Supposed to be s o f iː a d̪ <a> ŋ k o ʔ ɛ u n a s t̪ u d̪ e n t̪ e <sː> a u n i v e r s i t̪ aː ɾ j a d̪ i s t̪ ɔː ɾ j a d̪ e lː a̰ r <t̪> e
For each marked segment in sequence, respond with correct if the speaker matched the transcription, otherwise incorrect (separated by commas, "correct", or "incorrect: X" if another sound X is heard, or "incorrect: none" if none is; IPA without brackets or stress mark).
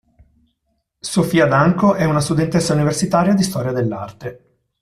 correct, correct, correct